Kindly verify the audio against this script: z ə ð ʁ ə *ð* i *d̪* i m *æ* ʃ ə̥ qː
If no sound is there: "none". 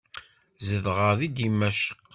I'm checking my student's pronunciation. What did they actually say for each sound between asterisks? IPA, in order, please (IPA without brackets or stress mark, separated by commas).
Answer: ð, d̪, æ